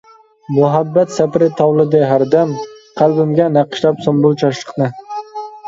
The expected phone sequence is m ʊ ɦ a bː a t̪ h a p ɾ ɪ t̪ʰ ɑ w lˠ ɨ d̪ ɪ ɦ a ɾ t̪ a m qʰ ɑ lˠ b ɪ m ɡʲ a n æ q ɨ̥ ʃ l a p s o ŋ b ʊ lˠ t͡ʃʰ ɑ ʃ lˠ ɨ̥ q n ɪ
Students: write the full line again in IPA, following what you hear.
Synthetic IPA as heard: m ʊ ɦ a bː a t̪ s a p ɾ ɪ t̪ʰ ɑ w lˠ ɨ d̪ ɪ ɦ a ɾ d̪ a m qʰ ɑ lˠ b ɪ m ɡʲ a n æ q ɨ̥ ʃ l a p s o m b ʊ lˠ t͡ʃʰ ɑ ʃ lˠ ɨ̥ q n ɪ